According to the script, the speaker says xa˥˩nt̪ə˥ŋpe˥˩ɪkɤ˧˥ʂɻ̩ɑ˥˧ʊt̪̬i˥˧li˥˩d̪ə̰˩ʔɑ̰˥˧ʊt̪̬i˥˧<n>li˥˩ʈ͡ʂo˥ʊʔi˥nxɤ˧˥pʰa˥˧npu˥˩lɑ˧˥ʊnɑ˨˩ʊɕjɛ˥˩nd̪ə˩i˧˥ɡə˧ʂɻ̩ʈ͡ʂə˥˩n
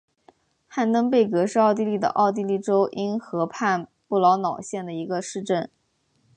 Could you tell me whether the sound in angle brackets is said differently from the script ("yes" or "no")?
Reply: yes